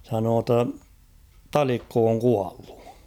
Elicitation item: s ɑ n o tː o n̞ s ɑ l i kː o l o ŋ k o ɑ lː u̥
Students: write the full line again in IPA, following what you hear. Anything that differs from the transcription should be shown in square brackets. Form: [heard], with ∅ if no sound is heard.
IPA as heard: s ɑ n [oː] tː o n̞ [t] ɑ l i kː o [∅] o ŋ k [u] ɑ lː u̥